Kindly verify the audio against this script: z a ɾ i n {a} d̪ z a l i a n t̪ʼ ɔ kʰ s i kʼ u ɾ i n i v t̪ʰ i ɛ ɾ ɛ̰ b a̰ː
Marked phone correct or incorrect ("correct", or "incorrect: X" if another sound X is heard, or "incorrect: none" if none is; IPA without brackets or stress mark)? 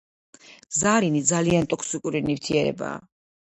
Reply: incorrect: i